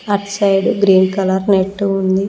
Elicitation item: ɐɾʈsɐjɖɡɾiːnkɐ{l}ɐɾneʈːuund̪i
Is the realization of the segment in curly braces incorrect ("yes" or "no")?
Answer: no